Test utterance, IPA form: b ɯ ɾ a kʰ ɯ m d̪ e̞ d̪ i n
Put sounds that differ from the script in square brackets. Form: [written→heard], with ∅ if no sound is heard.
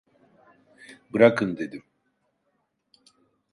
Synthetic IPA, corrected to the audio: b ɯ ɾ a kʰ ɯ [m→n] d̪ e̞ d̪ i [n→m]